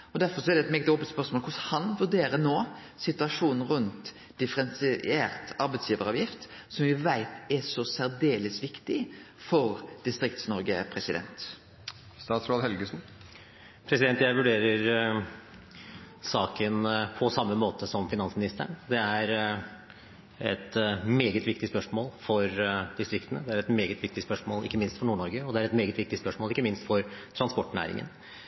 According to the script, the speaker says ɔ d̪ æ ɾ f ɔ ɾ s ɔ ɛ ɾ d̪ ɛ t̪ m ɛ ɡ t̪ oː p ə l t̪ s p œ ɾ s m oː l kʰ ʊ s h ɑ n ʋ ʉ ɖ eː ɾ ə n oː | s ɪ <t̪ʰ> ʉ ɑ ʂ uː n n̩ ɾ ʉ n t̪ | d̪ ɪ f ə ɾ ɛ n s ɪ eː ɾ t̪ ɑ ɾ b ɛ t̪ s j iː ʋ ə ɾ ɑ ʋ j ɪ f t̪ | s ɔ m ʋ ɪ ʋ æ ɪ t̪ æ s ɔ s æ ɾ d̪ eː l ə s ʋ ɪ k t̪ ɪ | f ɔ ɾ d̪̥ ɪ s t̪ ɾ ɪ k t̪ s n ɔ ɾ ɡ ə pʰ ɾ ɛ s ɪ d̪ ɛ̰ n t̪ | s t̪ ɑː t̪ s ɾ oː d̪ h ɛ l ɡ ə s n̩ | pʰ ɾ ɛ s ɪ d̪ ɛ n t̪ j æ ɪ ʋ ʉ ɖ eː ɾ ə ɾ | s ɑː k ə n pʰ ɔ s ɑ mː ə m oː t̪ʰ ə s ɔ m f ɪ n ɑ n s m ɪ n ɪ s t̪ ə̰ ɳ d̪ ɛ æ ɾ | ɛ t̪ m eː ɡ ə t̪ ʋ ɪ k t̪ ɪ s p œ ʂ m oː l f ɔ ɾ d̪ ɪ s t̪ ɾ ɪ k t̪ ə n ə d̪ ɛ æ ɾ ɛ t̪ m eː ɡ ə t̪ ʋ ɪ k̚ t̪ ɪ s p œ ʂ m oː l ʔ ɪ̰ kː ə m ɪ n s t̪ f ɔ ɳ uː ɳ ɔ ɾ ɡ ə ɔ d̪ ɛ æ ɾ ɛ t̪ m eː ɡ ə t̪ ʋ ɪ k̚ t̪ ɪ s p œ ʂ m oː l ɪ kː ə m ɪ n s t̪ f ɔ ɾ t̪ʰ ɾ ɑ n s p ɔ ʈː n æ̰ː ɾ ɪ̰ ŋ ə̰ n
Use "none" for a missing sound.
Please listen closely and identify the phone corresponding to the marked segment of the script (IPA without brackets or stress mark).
t̪